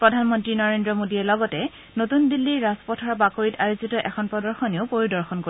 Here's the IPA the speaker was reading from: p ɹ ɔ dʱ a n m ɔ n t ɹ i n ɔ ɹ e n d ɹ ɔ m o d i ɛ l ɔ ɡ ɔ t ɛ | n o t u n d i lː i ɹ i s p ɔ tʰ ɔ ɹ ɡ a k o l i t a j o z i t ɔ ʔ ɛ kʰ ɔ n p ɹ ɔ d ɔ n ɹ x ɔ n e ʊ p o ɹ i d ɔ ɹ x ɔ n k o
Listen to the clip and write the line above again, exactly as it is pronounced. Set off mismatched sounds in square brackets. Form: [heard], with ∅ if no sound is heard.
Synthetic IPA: p ɹ ɔ dʱ a n m ɔ n t ɹ i n ɔ ɹ e n d ɹ ɔ m o d i ɛ l ɔ ɡ ɔ t ɛ | n o t u n d i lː i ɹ [a] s p ɔ tʰ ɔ ɹ [b] a k o [ɹ] i t a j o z i t ɔ ʔ ɛ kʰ ɔ n p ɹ ɔ d ɔ [∅] ɹ x ɔ n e ʊ p o ɹ i d ɔ ɹ x ɔ n k o